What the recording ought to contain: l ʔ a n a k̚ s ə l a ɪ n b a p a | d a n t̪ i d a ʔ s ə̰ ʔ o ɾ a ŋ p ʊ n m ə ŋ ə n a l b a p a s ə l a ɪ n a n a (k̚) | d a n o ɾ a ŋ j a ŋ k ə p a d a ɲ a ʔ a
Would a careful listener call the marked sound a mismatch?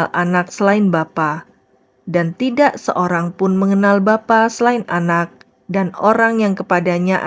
no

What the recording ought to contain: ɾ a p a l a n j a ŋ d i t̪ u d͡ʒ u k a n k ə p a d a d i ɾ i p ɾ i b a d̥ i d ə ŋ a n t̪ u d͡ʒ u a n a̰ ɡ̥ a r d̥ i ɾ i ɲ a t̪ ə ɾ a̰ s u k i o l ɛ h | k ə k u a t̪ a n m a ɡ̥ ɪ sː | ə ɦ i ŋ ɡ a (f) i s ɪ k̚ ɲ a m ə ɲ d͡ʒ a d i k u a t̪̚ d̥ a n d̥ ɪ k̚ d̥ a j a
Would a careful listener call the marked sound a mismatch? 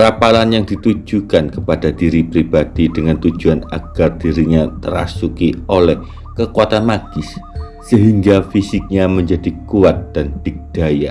no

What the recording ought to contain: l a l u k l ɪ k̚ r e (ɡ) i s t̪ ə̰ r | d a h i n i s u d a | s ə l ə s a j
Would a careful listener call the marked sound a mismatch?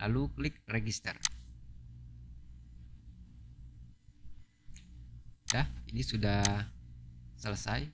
no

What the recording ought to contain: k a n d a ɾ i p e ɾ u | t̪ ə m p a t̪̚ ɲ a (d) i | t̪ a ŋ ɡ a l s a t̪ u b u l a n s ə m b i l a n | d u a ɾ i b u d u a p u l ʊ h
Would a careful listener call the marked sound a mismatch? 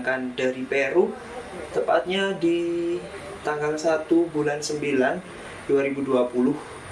no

